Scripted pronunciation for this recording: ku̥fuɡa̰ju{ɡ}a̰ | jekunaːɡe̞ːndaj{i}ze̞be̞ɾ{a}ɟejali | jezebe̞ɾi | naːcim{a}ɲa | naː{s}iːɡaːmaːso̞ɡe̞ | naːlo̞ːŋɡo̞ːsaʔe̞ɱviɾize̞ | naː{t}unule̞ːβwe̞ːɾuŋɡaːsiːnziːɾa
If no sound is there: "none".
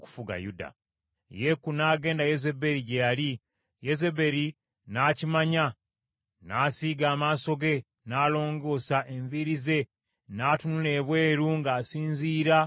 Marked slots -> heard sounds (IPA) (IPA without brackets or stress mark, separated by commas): d, e, i, a, s, t